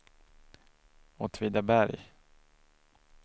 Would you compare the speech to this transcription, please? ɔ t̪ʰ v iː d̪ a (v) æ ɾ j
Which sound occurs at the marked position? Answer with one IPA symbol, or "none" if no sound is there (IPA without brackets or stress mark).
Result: b